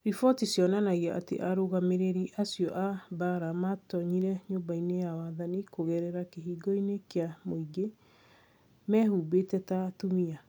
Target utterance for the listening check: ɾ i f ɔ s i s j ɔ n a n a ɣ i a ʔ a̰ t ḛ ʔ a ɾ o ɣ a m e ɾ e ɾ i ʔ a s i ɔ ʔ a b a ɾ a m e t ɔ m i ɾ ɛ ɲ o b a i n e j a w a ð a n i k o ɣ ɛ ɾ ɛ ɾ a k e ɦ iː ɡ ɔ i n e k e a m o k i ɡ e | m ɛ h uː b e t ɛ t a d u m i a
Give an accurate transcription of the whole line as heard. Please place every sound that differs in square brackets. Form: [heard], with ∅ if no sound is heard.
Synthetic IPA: ɾ i f ɔ [t] i s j ɔ n a n a ɣ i a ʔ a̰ t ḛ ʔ a ɾ o ɣ a m e ɾ e ɾ i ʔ a s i ɔ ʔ a b a ɾ a m [a] t ɔ [ɲ] i ɾ ɛ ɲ o b a i n e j a w a ð a n i k o ɣ ɛ ɾ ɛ ɾ a k e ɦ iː ɡ ɔ i n e k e a m o [∅] i ɡ e | m ɛ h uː b e t ɛ t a [t] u m i a